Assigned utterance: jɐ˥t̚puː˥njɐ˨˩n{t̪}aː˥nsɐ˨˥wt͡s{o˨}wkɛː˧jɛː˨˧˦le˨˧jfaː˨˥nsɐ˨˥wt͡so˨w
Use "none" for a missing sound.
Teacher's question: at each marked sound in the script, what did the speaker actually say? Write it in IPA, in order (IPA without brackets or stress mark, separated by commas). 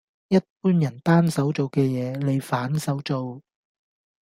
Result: t̪, o˨